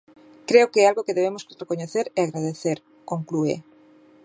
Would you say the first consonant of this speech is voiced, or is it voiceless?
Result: voiceless